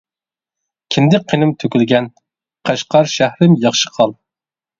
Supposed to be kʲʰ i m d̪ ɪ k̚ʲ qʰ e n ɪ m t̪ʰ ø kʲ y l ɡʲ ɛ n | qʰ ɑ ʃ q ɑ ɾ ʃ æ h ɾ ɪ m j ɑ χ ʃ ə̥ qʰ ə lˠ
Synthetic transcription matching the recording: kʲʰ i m d̪ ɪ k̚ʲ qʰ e n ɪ m t̪ʰ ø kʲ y l ɡʲ ɛ n | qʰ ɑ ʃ q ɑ ɾ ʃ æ h ɾ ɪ m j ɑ χ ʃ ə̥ qʰ ɑ lˠ